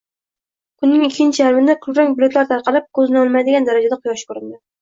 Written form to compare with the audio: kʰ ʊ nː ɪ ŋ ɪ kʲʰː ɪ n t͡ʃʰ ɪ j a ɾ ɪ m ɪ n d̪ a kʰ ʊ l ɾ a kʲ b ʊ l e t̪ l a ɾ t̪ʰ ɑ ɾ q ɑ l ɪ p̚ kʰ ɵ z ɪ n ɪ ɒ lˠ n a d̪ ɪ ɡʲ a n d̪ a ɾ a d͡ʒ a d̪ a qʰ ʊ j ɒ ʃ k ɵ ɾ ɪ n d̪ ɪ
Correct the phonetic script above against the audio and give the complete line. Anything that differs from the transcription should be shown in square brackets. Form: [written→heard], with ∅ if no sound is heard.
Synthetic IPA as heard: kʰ ʊ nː ɪ ŋ ɪ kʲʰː ɪ n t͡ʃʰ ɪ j a ɾ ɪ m ɪ n d̪ a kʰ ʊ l ɾ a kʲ b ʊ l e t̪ l a ɾ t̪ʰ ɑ ɾ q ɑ l ɪ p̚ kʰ ɵ z ɪ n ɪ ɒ lˠ [n→m] a d̪ ɪ ɡʲ a n d̪ a ɾ a d͡ʒ a d̪ a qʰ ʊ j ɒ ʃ k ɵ ɾ ɪ n d̪ ɪ